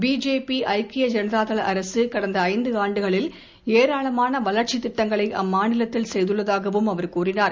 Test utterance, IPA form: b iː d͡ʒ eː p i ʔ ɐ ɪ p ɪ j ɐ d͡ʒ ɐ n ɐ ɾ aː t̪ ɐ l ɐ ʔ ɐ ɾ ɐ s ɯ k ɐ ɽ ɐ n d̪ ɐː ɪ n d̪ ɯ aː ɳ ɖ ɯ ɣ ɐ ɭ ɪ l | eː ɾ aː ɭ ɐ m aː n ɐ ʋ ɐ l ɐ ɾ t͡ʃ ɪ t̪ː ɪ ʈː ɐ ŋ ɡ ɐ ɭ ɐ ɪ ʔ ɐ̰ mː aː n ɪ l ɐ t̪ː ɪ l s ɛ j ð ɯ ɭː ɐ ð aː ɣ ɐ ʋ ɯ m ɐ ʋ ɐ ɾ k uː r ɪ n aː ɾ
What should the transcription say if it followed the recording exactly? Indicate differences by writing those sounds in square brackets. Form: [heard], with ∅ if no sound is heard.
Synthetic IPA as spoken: b iː d͡ʒ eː p i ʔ ɐ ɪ [k] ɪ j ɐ d͡ʒ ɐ n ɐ ɾ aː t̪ ɐ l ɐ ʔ ɐ ɾ ɐ s ɯ k ɐ ɽ ɐ n d̪ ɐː ɪ n d̪ ɯ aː ɳ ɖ ɯ ɣ ɐ ɭ ɪ l | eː ɾ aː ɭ ɐ m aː n ɐ ʋ ɐ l ɐ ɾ t͡ʃ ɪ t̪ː ɪ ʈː ɐ ŋ ɡ ɐ ɭ ɐ ɪ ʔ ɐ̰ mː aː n ɪ l ɐ t̪ː ɪ l s ɛ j ð ɯ ɭː ɐ ð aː ɣ ɐ ʋ ɯ m ɐ ʋ ɐ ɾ k uː r ɪ n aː ɾ